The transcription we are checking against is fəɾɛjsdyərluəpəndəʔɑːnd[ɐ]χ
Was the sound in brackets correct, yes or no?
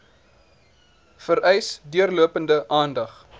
yes